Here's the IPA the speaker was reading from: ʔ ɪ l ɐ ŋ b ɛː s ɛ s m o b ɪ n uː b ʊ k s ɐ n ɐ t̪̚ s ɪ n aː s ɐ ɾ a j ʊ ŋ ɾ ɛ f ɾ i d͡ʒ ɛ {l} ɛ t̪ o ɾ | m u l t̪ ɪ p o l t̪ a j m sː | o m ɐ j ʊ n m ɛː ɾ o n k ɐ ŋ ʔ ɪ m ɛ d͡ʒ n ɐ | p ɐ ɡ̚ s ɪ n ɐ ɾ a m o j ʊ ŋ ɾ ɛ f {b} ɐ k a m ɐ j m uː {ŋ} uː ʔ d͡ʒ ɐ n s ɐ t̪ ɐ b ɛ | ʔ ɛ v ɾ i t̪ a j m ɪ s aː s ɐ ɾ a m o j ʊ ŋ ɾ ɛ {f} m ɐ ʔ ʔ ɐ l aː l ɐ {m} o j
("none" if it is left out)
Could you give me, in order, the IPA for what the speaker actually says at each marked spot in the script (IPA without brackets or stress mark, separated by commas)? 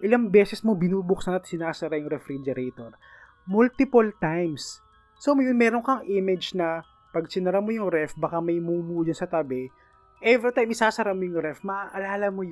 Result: ɾ, b, m, f, m